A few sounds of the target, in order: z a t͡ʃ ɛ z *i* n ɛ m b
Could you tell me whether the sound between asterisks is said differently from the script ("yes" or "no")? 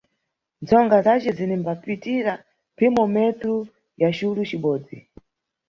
no